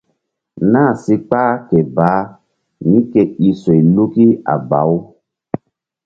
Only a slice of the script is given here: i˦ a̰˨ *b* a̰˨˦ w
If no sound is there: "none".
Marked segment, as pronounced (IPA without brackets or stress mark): b